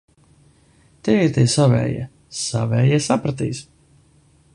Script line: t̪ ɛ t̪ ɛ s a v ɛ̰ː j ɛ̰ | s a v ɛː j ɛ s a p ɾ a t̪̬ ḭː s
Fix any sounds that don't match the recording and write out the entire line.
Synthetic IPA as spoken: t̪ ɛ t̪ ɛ s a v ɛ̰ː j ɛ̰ | s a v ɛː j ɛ s a p ɾ a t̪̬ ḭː s

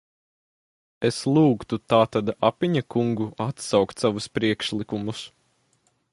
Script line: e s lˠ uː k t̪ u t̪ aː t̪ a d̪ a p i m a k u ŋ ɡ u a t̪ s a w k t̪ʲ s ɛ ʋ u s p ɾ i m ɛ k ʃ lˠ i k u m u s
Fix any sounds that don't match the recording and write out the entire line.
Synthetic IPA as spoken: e s lˠ uː k t̪ u t̪ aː t̪ a d̪ a p i ɲ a k u ŋ ɡ u a t̪ s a w k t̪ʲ s a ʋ u s p ɾ i ɛ k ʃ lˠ i k u m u s

